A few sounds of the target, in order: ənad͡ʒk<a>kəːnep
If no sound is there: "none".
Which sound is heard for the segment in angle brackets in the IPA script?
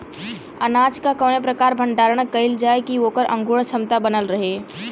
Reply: a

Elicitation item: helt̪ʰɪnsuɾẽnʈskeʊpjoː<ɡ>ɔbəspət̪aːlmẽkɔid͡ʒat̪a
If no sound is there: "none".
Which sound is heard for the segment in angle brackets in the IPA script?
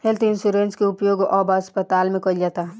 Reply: ɡ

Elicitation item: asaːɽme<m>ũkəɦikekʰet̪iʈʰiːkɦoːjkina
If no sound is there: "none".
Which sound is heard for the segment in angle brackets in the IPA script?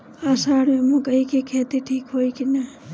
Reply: m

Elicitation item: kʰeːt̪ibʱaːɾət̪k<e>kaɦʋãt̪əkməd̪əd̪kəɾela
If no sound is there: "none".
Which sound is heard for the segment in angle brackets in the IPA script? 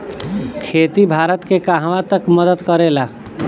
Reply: e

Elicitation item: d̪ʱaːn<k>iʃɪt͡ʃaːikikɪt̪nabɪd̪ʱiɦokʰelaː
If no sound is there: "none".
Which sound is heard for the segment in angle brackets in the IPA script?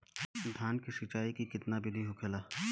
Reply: k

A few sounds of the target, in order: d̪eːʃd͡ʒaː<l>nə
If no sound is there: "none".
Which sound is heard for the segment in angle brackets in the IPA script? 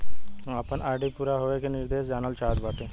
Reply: none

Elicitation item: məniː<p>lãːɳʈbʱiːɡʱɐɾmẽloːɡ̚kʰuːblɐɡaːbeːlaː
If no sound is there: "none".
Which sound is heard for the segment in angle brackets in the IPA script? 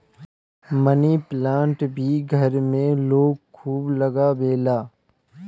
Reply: p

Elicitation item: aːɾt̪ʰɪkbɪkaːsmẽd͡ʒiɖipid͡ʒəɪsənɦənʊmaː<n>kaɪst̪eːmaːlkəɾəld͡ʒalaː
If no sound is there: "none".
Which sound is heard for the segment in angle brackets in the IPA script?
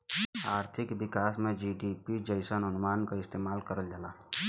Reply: n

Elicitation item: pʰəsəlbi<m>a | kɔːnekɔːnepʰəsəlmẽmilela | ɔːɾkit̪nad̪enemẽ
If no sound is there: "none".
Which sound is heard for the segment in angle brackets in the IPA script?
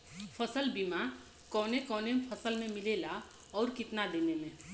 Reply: m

